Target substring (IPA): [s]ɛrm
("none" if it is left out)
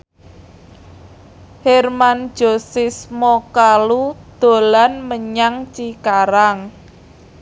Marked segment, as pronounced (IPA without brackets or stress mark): h